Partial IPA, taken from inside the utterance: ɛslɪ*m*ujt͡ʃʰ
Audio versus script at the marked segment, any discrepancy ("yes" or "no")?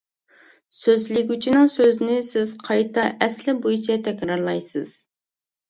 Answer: yes